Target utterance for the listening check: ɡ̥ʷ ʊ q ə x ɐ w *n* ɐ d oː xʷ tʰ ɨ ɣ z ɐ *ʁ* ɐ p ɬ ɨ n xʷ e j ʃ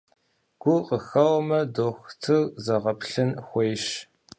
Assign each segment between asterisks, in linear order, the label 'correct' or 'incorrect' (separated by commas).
incorrect, correct